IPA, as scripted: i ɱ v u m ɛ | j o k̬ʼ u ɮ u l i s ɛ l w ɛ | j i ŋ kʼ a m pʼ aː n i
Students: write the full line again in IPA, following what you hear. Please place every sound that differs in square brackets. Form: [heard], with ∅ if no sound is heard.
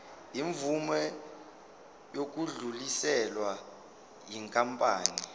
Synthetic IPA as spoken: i ɱ v u m ɛ | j o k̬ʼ u ɮ u l i s ɛ l w [a] | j i ŋ kʼ a m pʼ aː n i